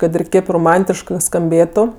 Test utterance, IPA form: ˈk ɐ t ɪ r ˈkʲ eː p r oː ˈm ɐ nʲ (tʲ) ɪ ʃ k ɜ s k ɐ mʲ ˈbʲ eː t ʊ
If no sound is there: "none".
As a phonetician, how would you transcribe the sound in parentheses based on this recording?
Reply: tʲ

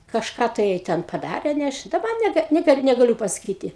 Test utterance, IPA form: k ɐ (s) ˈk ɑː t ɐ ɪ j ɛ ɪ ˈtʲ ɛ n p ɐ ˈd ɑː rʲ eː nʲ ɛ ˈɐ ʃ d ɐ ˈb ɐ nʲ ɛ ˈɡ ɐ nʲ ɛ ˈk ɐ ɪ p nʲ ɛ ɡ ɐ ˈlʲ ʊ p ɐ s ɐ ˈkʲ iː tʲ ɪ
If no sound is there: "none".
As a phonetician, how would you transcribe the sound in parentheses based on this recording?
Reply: ʃ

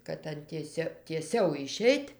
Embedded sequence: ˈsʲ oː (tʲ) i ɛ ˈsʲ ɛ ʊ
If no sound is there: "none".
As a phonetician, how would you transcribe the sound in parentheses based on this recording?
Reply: tʲ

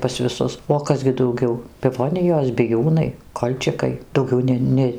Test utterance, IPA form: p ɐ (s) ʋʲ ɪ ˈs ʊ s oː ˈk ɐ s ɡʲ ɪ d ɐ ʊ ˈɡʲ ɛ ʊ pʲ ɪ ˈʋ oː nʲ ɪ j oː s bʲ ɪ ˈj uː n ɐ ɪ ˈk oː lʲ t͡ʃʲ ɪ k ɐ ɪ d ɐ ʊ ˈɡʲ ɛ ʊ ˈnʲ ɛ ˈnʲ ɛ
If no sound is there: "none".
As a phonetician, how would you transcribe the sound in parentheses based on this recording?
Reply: s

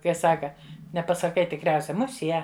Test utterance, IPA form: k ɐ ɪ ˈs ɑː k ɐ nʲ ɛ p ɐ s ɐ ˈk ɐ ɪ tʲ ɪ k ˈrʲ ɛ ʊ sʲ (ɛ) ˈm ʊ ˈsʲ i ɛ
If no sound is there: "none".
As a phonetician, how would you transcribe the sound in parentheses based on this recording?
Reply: ɛ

